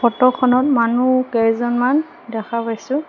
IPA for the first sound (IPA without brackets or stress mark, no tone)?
ɔ